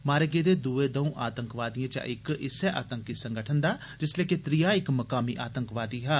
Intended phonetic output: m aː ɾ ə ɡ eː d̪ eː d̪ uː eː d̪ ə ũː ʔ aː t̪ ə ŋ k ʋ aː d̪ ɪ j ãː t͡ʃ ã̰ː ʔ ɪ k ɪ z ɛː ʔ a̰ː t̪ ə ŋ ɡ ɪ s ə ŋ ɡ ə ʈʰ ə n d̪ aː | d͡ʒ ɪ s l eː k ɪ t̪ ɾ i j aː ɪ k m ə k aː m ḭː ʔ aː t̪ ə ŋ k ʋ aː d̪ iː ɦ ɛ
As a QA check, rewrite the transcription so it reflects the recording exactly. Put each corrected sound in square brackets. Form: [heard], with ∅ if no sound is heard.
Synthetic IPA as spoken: m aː ɾ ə ɡ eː d̪ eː d̪ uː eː d̪ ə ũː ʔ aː t̪ ə ŋ k ʋ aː d̪ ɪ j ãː t͡ʃ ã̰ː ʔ ɪ k ɪ [s] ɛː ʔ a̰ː t̪ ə ŋ [k] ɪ s ə ŋ ɡ ə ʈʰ ə n d̪ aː | d͡ʒ ɪ s l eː k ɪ t̪ ɾ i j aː ɪ k m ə k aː m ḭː ʔ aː t̪ ə ŋ k ʋ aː d̪ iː ɦ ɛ